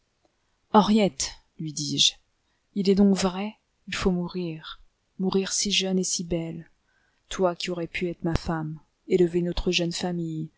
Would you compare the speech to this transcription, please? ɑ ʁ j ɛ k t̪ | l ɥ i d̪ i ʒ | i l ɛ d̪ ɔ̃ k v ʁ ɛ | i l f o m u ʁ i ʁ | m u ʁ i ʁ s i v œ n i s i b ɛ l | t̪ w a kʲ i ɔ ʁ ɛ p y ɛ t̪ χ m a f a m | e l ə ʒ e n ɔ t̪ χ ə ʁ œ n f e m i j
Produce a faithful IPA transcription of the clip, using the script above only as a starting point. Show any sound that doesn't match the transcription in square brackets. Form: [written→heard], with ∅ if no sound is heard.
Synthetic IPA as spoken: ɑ ʁ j ɛ [k→∅] t̪ | l ɥ i d̪ i ʒ | i l ɛ d̪ ɔ̃ k v ʁ ɛ | i l f o m u ʁ i ʁ | m u ʁ i ʁ s i [v→ʒ] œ n [i→e] s i b ɛ l | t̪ w a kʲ i ɔ ʁ ɛ p y ɛ t̪ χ m a f a m | e l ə [ʒ→v] e n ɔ t̪ χ ə [ʁ→ʒ] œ n f [e→a] m i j